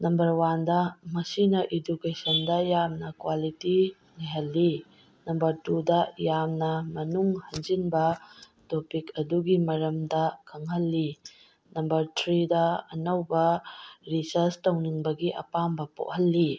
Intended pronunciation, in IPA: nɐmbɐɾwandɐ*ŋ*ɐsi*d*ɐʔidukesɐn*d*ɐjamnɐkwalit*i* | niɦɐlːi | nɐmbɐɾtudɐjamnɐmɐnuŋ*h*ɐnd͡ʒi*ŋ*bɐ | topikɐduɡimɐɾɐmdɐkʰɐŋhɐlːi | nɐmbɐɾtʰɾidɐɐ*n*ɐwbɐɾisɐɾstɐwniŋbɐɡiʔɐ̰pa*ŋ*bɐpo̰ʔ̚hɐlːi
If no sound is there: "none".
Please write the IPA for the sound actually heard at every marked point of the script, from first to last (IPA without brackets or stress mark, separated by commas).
m, n, d, i, h, n, n, m